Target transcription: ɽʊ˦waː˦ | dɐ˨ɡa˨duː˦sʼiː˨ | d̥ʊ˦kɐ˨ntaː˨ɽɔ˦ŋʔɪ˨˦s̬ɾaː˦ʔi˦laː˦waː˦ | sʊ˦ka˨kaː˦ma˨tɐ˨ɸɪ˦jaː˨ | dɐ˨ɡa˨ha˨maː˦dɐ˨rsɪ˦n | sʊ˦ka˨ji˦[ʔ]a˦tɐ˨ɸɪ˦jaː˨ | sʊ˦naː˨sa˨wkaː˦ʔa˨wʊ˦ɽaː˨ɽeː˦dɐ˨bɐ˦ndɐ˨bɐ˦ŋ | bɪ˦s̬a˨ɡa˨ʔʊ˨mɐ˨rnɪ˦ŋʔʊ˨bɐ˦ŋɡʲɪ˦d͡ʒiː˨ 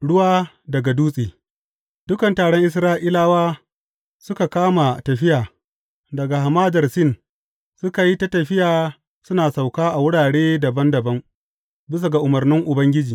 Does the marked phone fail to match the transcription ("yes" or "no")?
yes